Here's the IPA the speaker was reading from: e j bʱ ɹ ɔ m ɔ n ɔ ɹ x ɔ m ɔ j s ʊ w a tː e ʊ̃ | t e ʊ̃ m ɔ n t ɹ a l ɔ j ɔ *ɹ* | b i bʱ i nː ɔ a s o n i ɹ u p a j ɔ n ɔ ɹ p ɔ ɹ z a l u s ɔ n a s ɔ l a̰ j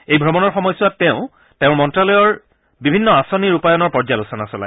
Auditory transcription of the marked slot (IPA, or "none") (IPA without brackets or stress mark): ɹ